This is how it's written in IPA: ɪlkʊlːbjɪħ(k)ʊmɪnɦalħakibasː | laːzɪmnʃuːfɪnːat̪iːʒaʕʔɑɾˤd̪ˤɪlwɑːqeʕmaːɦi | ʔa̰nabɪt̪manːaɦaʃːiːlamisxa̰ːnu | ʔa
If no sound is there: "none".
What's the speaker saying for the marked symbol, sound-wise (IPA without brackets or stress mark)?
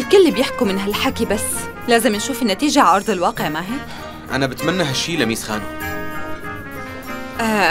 k